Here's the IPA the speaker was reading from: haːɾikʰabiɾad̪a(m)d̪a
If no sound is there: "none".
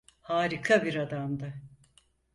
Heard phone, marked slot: m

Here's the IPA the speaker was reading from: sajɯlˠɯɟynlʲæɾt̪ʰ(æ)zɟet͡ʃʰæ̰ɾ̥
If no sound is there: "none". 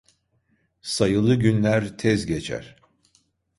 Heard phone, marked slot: ɛ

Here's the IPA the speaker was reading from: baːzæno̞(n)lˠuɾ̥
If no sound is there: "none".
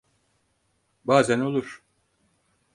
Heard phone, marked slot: none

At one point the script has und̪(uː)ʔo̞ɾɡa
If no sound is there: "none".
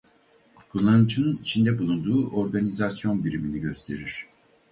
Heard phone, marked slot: uː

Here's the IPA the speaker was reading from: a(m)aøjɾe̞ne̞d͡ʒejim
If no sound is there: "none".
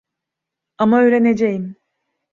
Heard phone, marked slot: m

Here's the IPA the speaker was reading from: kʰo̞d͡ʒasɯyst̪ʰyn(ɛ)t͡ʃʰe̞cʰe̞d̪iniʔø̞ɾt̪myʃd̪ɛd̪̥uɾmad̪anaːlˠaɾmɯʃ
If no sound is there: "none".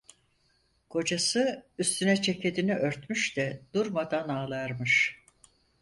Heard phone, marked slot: ɛ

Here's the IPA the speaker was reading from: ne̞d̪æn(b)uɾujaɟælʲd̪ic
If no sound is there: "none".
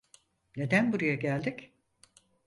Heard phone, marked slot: b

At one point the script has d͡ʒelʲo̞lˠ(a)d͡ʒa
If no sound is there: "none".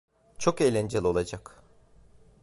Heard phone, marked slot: a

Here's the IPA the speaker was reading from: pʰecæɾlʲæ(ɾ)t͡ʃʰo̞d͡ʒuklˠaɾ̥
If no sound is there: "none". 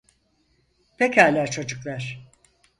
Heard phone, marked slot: ɾ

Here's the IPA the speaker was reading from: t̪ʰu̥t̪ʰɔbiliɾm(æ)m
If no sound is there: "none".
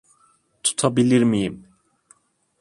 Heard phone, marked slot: i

